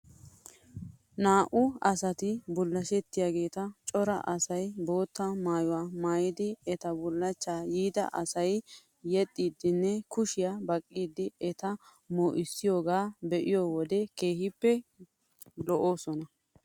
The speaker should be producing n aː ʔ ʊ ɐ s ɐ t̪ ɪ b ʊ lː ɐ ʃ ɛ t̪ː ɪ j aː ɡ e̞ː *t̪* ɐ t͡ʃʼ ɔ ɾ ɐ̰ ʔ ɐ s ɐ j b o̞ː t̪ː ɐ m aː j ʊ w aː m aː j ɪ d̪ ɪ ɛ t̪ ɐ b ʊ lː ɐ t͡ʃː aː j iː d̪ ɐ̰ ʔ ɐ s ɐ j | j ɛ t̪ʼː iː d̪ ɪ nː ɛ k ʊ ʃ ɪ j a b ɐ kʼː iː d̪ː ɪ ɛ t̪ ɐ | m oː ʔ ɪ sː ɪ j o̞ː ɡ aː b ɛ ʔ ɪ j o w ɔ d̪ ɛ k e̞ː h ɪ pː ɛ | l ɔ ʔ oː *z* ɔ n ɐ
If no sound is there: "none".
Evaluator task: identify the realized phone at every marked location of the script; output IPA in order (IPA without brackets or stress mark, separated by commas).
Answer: t̪, s